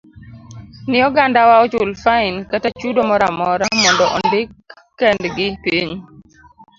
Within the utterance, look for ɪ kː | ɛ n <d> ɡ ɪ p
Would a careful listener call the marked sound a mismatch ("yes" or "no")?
no